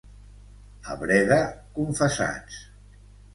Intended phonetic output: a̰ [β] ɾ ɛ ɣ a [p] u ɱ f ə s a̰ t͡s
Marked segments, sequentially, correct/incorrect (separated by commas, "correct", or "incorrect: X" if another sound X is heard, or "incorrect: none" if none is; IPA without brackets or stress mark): correct, incorrect: k